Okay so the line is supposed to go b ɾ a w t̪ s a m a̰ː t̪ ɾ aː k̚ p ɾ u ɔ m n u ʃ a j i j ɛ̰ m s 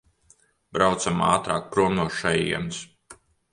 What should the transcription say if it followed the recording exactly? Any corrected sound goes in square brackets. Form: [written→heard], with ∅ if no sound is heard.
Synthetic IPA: b ɾ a w t̪ s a m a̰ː t̪ ɾ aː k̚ p ɾ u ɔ m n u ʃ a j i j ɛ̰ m s

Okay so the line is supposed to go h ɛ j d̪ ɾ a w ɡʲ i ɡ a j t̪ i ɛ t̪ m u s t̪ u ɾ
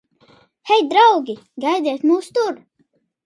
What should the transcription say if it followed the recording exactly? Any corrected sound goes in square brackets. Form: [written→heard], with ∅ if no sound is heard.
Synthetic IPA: h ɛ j d̪ ɾ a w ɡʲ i ɡ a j [t̪→d̪] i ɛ t̪ m [u→uː] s t̪ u ɾ

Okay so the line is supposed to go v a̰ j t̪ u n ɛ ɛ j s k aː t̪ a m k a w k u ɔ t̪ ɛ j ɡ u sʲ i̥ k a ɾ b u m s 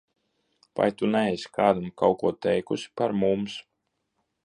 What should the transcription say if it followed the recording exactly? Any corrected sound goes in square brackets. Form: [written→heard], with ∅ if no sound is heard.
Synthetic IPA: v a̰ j t̪ u n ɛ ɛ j s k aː [t̪→d̪] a m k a w k u ɔ t̪ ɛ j [ɡ→k] u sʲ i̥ [k→p] a ɾ [b→m] u m s

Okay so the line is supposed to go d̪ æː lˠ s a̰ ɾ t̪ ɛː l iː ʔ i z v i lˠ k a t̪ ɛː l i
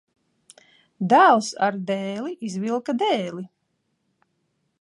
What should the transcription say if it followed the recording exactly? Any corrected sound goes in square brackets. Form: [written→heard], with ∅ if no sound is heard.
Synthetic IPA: d̪ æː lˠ s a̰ ɾ [t̪→d̪] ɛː l [iː→i] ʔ i z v i lˠ k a [t̪→d̪] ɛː l i

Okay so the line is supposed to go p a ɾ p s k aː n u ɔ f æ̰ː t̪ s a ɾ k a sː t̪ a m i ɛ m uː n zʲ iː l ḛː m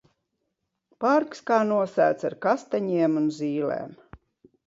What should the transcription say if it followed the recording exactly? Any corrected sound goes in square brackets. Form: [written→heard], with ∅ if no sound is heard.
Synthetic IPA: p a ɾ [p→k] s k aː n u ɔ [f→s] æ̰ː t̪ s a ɾ k a [sː→s] t̪ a [m→ɲ] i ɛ m [uː→u] n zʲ iː l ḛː m

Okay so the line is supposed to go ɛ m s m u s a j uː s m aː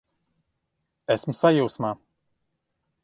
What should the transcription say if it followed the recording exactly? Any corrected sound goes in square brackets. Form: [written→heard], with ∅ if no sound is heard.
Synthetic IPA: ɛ [m→∅] s m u s a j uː s m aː

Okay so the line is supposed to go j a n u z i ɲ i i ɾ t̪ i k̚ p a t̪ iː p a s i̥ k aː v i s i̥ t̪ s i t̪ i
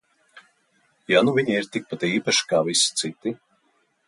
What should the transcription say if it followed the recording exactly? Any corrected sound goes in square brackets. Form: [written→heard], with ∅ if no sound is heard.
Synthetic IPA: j a n u [z→v] i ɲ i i ɾ t̪ i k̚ p a t̪ iː p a [s→ʃ] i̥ k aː v i s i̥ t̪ s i t̪ i

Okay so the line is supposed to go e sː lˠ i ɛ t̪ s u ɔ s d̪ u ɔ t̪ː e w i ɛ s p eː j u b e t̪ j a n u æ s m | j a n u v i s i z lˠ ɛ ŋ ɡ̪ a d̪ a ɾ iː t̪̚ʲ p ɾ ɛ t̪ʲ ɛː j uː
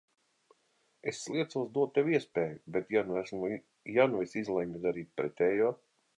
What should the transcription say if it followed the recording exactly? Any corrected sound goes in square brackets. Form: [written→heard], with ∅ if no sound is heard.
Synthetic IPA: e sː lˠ i ɛ t̪ s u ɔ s d̪ u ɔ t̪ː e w i ɛ s p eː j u b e t̪ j a n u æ s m | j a n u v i s i z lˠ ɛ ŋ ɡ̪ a d̪ a ɾ iː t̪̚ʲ p ɾ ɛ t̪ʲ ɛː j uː

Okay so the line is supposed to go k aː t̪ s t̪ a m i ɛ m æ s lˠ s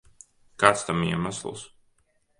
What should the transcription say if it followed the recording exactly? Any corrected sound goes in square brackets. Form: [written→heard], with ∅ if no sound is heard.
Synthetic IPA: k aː t̪ s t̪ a m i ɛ m [æ→a] s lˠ s

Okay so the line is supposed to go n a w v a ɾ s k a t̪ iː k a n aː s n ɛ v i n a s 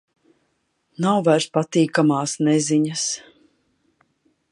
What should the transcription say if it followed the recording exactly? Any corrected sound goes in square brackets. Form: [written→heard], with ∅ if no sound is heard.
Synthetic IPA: n a w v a ɾ s [k→p] a t̪ iː k a [n→m] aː s n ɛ [v→z] i [n→ɲ] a s

